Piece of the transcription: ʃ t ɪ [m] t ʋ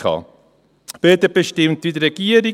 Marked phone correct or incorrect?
correct